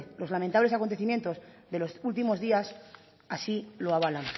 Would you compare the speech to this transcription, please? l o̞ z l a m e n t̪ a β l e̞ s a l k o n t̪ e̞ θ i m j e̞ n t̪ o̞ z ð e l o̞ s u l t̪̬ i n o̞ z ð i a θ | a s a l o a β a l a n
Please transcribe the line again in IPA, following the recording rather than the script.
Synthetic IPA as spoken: l o̞ z l a m e n t̪ a β l e̞ s a k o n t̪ e̞ θ i m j e̞ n t̪ o̞ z ð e l o̞ s u l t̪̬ i m o̞ z ð i a s | a s i l o a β a l a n